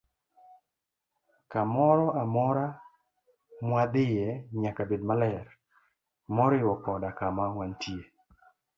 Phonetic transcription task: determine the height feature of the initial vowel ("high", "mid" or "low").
low